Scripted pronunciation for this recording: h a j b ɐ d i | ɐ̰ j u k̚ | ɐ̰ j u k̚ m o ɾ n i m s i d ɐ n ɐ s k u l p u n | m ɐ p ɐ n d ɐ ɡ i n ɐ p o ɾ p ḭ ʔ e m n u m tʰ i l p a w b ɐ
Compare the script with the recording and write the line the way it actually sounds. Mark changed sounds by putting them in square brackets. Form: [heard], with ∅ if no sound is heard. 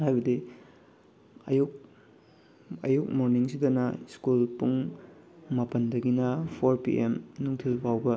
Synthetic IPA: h a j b ɐ d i | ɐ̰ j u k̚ | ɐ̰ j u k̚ m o ɾ n i [ŋ] s i d ɐ n ɐ s k u l p u [ŋ] | m ɐ p ɐ n d ɐ ɡ i n ɐ [pʰ] o ɾ p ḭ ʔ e m n u [ŋ] tʰ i l p a w b ɐ

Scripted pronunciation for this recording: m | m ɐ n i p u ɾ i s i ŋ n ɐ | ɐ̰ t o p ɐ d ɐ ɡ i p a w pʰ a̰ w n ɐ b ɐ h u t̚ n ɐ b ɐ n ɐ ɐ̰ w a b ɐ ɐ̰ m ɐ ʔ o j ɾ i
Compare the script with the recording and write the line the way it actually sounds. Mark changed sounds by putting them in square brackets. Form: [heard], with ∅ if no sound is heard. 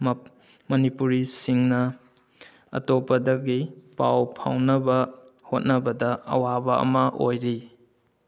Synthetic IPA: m | m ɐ n i p u ɾ i s i ŋ n ɐ | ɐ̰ t o p ɐ d ɐ ɡ i p a w pʰ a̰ w n ɐ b ɐ h [o] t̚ n ɐ b ɐ [d] ɐ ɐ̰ w a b ɐ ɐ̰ m ɐ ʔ o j ɾ i

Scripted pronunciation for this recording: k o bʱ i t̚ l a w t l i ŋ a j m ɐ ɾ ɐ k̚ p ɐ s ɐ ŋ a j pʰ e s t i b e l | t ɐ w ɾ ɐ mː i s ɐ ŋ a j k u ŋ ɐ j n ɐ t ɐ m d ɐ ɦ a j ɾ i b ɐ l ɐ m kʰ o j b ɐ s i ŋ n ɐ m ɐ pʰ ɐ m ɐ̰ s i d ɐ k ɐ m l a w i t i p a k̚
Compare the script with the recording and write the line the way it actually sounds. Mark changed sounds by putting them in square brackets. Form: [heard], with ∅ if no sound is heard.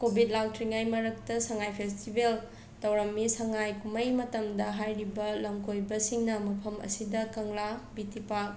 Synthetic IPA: k o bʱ i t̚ l a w t [ɾ] i ŋ a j m ɐ ɾ ɐ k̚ [t] ɐ s ɐ ŋ a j pʰ e s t i b e l | t ɐ w ɾ ɐ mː i s ɐ ŋ a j k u [m] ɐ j [m] ɐ t ɐ m d ɐ ɦ a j ɾ i b ɐ l ɐ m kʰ o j b ɐ s i ŋ n ɐ m ɐ pʰ ɐ m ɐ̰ s i d ɐ k ɐ [ŋ] l a [b] i t i p a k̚

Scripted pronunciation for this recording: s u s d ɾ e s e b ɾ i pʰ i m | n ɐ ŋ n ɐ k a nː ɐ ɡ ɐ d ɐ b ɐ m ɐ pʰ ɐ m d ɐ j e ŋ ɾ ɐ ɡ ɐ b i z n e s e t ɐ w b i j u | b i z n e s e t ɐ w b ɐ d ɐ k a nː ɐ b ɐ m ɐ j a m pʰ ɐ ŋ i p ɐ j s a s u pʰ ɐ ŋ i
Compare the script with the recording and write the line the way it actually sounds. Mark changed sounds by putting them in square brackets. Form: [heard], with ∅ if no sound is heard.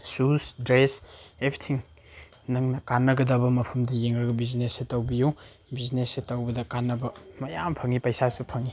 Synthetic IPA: s u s d ɾ e s e b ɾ i [tʰ] i [ŋ] | n ɐ ŋ n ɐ k a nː ɐ ɡ ɐ d ɐ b ɐ m ɐ pʰ ɐ m d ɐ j e ŋ ɾ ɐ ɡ ɐ b i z n e s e t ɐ w b i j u | b i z n e s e t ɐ w b ɐ d ɐ k a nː ɐ b ɐ m ɐ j a m pʰ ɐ ŋ i p ɐ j s a s u pʰ ɐ ŋ i

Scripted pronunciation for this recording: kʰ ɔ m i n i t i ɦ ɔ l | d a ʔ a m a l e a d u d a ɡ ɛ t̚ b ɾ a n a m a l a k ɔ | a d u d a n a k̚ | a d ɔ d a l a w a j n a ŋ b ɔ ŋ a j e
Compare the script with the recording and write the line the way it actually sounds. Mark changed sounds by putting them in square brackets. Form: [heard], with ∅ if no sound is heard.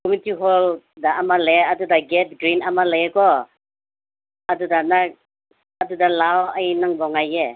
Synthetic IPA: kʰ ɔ m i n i t i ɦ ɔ l | d a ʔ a m a l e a d u d a ɡ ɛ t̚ [ɡ] ɾ [i] n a m a l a k ɔ | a d u d a n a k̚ | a d [u] d a l a w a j n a ŋ b ɔ ŋ a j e

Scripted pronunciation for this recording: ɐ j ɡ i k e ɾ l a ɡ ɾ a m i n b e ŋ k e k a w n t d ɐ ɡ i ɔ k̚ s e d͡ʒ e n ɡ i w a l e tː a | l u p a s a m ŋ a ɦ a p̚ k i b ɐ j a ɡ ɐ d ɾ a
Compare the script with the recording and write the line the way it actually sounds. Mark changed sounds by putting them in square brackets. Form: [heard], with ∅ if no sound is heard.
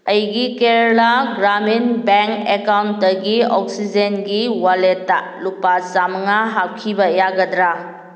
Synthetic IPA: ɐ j ɡ i k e ɾ l a ɡ ɾ a m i n b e ŋ k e k a w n t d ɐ ɡ i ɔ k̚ s [i] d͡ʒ e n ɡ i w a l e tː a | l u p a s a m ŋ a ɦ a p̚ [kʰ] i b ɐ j a ɡ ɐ d ɾ a

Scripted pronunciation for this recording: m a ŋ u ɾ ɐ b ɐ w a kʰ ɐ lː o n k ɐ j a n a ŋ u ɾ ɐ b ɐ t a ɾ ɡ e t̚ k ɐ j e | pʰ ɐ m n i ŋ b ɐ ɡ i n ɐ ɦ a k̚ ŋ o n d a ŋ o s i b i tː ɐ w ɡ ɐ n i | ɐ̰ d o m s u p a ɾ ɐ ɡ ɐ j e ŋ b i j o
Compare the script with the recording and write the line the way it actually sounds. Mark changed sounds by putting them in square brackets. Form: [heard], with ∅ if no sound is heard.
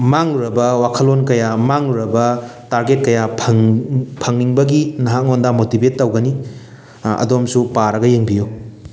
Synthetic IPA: m a ŋ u ɾ ɐ b ɐ w a kʰ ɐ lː o n k ɐ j a [m] a ŋ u ɾ ɐ b ɐ t a ɾ ɡ e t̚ k ɐ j [a] | pʰ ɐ [ŋ] n i ŋ b ɐ ɡ i n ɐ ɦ a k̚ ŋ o n d a [m] o [t] i b [e] tː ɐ w ɡ ɐ n i | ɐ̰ d o m s u p a ɾ ɐ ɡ ɐ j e ŋ b i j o

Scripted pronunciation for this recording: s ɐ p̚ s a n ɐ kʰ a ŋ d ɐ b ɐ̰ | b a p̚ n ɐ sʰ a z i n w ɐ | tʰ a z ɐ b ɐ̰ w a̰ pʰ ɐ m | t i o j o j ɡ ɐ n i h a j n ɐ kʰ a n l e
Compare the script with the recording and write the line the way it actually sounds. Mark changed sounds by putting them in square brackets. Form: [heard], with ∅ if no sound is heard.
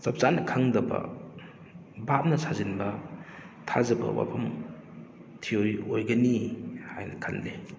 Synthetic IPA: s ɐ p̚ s a n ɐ kʰ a ŋ d ɐ b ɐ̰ | b a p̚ n ɐ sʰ a z i n [b] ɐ | tʰ a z ɐ b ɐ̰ w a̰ pʰ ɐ m | [tʰ] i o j o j ɡ ɐ n i h a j n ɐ kʰ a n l e

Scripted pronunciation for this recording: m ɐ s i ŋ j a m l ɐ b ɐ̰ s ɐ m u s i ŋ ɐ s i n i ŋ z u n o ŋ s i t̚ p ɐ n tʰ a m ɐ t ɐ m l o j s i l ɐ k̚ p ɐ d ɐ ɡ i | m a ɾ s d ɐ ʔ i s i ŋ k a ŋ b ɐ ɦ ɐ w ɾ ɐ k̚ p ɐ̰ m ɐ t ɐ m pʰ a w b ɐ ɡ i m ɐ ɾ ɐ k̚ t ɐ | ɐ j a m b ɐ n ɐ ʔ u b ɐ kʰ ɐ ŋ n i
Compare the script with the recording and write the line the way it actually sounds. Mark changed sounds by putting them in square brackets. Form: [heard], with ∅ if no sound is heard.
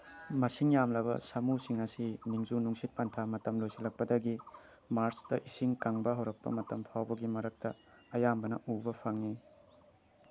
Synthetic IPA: m ɐ s i ŋ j a m l ɐ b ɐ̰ s ɐ m u s i ŋ ɐ s i n i ŋ z u n [u] ŋ s i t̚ p ɐ n tʰ a m ɐ t ɐ m l o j s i l ɐ k̚ p ɐ d ɐ ɡ i | m a ɾ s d ɐ ʔ i s i ŋ k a ŋ b ɐ ɦ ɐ w ɾ ɐ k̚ p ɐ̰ m ɐ t ɐ m pʰ a w b ɐ ɡ i m ɐ ɾ ɐ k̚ t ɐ | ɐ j a m b ɐ n ɐ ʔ u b ɐ [pʰ] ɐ ŋ n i

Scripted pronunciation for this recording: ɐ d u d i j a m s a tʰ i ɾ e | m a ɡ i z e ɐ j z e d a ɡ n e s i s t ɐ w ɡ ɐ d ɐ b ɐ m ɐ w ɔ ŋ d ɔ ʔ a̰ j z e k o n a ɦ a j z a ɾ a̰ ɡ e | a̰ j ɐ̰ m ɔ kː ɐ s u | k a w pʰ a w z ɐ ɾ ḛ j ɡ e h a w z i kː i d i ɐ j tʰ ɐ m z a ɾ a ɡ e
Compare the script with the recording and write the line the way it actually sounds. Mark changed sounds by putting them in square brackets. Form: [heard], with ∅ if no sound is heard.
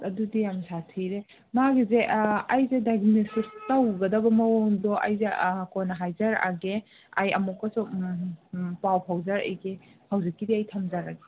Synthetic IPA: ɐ d u d i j a m s a tʰ i ɾ e | m a ɡ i z e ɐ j z e d a ɡ n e s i s t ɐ w ɡ ɐ d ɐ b ɐ m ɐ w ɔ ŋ d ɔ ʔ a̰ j z e k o n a ɦ a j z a ɾ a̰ ɡ e | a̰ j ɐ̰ m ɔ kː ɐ s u | [p] a w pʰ a w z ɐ ɾ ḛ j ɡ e h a w z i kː i d i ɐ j tʰ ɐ m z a ɾ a ɡ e

